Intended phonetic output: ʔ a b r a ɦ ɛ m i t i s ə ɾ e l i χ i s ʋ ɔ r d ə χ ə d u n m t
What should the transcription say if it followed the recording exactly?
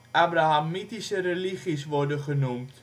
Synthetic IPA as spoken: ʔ a b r a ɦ a m i t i s ə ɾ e l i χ i s ʋ ɔ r d ə χ ə n u m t